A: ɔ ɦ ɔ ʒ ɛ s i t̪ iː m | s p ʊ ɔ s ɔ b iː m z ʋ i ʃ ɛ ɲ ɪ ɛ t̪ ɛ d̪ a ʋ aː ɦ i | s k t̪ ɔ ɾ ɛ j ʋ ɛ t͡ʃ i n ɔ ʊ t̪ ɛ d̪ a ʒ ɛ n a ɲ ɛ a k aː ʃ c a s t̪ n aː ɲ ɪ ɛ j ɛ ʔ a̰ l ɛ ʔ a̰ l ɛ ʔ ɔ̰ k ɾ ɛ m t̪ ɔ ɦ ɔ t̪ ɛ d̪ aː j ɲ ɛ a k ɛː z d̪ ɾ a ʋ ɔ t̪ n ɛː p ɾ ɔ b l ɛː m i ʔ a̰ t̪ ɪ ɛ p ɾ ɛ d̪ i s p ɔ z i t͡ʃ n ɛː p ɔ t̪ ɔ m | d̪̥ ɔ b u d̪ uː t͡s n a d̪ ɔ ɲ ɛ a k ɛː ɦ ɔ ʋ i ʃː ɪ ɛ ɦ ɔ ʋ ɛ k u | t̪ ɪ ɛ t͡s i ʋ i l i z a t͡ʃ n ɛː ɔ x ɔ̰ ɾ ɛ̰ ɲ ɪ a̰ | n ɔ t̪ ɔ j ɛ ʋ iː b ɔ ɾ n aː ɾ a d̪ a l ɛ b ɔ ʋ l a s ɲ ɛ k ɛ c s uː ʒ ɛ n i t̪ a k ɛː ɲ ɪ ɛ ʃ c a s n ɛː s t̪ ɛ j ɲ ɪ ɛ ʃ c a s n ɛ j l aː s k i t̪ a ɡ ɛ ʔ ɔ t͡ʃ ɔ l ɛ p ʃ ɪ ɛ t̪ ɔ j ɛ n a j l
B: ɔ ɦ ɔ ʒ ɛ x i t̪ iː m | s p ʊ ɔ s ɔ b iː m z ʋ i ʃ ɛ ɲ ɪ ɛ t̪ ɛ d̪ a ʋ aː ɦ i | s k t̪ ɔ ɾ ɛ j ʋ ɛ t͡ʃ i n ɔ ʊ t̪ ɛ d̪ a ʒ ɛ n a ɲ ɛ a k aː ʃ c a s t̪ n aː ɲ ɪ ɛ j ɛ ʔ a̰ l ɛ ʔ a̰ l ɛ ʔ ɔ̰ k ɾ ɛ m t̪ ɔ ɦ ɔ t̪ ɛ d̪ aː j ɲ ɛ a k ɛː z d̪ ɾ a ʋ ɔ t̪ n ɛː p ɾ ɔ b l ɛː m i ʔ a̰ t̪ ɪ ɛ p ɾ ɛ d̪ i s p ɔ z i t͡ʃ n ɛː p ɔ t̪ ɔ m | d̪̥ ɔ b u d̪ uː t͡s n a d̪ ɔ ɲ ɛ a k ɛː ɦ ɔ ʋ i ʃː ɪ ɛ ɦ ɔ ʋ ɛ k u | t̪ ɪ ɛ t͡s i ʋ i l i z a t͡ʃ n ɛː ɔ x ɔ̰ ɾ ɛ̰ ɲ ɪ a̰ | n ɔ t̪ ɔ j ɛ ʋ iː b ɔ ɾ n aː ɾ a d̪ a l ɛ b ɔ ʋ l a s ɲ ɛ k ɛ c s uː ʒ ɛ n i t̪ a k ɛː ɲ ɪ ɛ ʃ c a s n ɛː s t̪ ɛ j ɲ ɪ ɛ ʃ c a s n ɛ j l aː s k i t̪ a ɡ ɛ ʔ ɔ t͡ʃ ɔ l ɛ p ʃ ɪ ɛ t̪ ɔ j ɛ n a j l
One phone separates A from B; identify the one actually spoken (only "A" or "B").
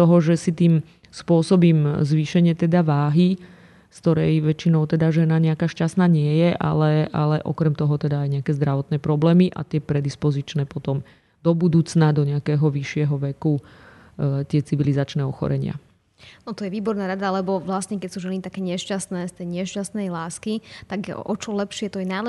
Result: A